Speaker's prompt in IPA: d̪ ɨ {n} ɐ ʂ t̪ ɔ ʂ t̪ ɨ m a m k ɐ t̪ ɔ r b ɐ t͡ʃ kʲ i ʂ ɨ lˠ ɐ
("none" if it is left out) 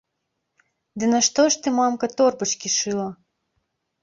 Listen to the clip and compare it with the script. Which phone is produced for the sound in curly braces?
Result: n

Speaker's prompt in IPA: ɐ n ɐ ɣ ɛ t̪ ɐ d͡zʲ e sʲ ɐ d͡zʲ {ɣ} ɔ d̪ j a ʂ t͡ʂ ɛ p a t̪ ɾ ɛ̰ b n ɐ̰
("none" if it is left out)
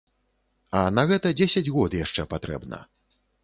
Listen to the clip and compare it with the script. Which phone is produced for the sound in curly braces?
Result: ɣ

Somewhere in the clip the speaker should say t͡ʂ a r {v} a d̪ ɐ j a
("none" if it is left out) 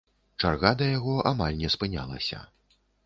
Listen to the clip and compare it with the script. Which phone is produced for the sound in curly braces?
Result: ɣ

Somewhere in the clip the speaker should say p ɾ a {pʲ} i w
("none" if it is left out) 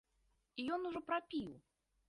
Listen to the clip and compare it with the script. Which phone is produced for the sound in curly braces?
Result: pʲ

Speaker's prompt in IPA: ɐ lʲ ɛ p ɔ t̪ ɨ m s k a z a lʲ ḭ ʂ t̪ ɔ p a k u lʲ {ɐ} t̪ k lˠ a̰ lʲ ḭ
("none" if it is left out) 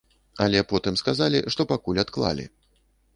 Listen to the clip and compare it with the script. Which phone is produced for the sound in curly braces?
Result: a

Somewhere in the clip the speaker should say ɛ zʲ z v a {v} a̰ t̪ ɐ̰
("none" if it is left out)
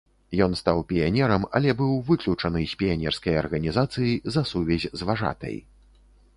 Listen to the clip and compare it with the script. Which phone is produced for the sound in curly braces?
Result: ʐ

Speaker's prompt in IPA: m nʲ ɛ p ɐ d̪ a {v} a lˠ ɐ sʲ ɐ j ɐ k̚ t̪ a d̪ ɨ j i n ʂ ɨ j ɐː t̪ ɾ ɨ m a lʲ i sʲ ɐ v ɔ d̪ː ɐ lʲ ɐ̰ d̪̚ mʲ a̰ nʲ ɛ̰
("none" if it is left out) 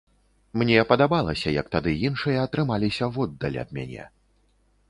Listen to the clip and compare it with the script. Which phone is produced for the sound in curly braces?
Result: b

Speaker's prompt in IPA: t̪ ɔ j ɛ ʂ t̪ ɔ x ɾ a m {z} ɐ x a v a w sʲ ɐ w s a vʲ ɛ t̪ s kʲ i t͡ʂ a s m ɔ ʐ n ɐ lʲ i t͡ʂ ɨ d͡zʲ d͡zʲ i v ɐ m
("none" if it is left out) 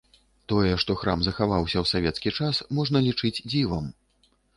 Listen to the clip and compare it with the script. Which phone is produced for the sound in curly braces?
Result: z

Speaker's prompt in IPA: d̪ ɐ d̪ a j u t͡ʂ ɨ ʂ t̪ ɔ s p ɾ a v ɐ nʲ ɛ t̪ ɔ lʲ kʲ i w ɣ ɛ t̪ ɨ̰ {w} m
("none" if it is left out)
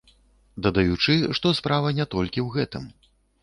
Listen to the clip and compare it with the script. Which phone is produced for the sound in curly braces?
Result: none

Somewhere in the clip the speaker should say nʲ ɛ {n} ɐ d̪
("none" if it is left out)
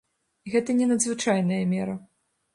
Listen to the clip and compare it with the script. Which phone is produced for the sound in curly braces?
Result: n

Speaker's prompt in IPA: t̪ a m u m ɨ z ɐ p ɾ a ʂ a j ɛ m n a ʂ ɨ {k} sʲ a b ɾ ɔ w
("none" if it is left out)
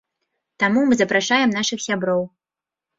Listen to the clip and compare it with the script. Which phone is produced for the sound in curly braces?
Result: x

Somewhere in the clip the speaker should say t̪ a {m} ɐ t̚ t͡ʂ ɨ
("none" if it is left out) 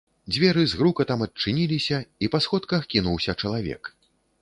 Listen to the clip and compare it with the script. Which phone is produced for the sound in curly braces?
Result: m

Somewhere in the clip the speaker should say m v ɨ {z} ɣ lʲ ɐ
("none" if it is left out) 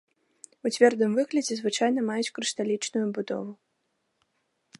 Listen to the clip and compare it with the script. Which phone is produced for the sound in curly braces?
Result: none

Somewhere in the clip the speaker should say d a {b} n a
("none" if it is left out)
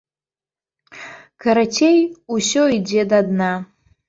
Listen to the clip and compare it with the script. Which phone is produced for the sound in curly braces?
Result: d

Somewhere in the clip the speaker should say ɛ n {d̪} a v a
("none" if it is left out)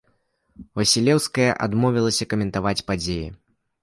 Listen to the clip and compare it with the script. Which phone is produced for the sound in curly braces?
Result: t̪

